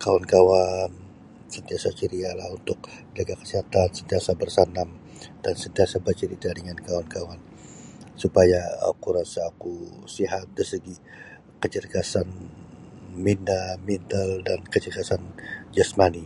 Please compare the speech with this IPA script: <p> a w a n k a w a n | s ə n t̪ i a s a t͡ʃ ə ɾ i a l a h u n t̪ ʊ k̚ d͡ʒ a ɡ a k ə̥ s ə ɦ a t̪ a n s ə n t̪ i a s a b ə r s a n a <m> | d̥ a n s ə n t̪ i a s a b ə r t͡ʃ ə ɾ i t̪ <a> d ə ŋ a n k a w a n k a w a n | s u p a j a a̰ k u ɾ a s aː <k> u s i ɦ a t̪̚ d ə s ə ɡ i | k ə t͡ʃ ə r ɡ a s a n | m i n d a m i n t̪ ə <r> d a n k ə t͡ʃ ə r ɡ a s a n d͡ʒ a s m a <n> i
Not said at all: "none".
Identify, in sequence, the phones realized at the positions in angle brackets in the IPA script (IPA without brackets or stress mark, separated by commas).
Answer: k, m, a, k, l, n